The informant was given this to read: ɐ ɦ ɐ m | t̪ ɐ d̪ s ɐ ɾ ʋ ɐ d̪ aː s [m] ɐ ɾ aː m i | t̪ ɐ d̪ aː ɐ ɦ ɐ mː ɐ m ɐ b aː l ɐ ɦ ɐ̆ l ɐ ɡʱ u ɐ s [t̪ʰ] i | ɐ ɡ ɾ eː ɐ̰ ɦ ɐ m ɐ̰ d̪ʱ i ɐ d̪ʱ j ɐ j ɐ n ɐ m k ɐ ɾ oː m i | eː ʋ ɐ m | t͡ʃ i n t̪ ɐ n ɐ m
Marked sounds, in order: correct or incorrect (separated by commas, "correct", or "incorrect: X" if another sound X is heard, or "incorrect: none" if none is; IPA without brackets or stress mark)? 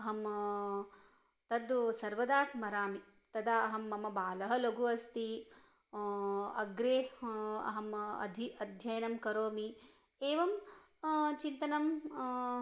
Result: correct, incorrect: t̪